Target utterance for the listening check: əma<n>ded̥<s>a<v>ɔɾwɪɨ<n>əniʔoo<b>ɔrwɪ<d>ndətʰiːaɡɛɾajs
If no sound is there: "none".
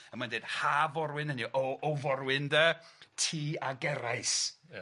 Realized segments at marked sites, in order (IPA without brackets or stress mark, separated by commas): n, h, v, n, v, none